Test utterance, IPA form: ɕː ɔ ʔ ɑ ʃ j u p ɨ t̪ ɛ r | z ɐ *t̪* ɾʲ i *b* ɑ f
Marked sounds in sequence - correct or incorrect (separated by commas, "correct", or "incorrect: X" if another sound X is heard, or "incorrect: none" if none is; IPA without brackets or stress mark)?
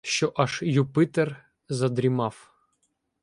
incorrect: d̪, incorrect: m